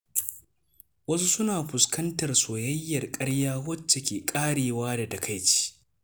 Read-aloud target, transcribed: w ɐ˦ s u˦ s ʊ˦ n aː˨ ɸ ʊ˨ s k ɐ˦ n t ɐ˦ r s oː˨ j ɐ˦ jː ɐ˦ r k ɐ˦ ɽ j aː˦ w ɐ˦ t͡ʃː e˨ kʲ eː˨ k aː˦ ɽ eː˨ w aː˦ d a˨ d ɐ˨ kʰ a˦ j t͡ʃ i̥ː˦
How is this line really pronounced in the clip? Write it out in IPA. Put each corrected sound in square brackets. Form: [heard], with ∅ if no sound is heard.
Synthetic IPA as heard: w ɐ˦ s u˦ s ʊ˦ n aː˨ ɸ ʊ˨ s k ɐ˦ n t [ɐ˨] r s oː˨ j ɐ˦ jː [ɐ˨] r [kʼ] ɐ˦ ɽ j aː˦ w ɐ˦ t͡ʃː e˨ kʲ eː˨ [kʼ] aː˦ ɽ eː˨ w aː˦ d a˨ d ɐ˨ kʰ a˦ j t͡ʃ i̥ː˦